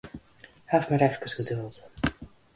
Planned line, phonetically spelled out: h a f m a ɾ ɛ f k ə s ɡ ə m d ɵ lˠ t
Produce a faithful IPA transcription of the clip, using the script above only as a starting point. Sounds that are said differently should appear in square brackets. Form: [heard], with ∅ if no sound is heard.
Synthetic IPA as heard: h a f m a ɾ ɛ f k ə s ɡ ə [∅] d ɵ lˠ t

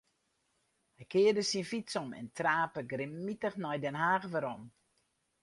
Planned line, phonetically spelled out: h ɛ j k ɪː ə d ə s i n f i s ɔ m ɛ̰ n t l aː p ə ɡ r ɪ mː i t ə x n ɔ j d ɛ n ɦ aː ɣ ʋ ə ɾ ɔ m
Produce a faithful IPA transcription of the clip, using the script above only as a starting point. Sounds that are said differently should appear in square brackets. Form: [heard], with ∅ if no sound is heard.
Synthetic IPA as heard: h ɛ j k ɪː ə d ə s i n f i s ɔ m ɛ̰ n t [r] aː p ə ɡ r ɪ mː i t ə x n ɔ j d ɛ n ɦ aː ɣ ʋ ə ɾ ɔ m

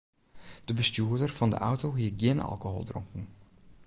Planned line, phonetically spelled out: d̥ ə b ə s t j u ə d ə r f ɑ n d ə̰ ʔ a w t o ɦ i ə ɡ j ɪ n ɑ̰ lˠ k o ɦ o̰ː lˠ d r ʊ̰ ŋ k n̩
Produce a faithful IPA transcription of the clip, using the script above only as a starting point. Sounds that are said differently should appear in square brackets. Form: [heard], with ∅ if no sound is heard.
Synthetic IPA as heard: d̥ ə b ə s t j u ə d ə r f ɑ n d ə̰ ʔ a w t o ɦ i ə ɡ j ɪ n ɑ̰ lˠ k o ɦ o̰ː lˠ d r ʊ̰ ŋ k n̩

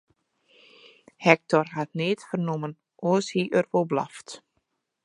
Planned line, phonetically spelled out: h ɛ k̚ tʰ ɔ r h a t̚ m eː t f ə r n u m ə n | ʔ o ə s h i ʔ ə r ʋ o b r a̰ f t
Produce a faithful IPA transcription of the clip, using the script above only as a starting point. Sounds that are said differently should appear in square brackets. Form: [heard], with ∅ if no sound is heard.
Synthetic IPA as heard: h ɛ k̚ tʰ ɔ r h a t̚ [n] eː t f ə r n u m ə n | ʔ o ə s h i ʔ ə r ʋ o b [l] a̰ f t

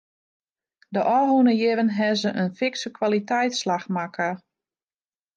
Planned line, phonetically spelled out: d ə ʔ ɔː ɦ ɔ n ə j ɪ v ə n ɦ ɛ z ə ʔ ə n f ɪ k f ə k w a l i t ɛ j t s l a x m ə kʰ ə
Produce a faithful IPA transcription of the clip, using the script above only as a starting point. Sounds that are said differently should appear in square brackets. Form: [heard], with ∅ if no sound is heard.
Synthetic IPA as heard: d ə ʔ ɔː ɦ [u] n ə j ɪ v ə n ɦ ɛ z ə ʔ ə n f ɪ k [s] ə k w a l i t ɛ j t s l a x m [a] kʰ ə

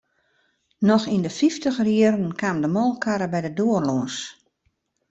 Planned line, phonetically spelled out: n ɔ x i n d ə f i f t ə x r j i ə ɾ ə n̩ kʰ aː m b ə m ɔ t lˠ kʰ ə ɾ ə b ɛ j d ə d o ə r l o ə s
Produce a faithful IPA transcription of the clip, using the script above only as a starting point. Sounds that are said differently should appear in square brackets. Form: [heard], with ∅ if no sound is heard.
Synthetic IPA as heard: n ɔ x i n d ə f i f t ə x r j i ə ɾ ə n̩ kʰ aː m [d] ə m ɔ [∅] lˠ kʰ [a] ɾ ə b ɛ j d ə d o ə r l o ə s

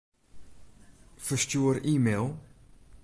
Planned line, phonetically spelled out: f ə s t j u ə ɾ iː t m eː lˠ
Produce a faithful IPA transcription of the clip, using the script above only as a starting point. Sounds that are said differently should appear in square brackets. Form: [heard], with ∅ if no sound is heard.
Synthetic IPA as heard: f ə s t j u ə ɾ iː [∅] m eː lˠ

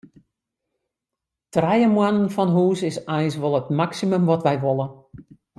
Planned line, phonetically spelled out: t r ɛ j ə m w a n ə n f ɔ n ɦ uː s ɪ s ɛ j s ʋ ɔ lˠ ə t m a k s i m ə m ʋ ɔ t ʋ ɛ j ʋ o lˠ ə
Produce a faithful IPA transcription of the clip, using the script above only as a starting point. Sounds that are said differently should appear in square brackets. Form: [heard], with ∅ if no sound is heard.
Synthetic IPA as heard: t r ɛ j ə m w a n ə n f ɔ n ɦ uː s ɪ s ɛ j s ʋ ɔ lˠ ə t m a k s i m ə m ʋ ɔ t ʋ ɛ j ʋ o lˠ ə

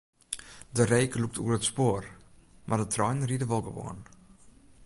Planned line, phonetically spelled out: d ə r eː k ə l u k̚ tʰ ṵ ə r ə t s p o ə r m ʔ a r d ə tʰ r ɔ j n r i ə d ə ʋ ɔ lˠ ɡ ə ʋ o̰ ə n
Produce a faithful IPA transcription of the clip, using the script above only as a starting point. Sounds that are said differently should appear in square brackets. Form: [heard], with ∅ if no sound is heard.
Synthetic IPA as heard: d ə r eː k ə l u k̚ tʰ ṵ ə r ə t s p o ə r m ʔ a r d ə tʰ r ɔ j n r i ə d ə ʋ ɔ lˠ ɡ ə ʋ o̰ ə n

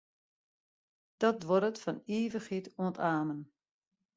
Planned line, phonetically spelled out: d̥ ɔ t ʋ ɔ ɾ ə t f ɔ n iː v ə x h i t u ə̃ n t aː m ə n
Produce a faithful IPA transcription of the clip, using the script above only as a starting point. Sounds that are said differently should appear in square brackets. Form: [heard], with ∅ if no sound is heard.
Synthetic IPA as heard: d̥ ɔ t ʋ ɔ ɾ ə t f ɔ n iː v ə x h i t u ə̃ n t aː m ə n

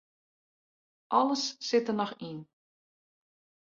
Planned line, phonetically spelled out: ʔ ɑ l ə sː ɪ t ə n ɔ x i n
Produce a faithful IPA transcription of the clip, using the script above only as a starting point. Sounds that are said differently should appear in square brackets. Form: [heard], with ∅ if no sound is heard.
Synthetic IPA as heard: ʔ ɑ l ə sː ɪ t ə n ɔ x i n

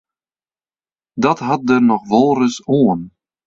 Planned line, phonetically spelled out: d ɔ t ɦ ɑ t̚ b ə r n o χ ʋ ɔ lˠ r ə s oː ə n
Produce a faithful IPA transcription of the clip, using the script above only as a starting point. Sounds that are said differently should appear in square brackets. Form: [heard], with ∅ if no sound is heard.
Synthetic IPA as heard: d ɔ t ɦ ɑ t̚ [d] ə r n [ɔ] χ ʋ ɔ lˠ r ə s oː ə n

